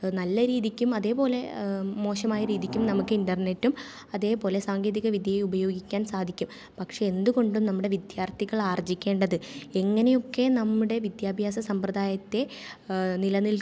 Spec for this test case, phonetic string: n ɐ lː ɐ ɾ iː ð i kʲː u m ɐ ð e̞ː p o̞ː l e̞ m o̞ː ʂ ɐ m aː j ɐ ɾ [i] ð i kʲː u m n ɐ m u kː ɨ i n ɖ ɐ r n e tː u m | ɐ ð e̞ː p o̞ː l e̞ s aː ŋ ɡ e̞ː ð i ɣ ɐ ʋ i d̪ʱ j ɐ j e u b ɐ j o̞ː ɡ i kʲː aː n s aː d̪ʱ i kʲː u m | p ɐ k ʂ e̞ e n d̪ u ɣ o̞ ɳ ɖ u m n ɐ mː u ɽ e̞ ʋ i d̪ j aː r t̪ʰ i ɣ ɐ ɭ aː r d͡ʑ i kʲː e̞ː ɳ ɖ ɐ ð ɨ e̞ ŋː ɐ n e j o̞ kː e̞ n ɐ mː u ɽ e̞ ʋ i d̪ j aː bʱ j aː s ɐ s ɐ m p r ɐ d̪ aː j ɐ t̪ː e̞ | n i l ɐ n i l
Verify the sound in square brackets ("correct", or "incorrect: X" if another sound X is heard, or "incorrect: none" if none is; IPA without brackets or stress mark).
incorrect: iː